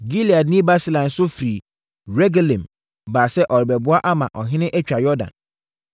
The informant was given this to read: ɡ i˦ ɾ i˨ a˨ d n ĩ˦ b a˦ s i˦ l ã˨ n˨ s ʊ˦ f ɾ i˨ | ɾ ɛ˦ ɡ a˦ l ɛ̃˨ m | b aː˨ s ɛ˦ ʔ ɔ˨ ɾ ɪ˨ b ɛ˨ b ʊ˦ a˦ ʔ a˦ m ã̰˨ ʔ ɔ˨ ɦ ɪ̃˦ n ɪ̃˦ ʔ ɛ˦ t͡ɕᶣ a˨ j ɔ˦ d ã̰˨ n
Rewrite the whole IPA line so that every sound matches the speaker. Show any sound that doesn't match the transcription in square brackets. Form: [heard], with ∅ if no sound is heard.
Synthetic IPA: ɡ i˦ [l] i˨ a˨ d n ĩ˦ b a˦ s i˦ l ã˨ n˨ s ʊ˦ f ɾ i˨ | ɾ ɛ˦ ɡ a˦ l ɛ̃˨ m | b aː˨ s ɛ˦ ʔ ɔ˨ ɾ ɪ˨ b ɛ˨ b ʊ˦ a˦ ʔ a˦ m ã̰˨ ʔ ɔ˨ ɦ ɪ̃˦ n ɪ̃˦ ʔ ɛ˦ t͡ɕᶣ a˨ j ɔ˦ d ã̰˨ n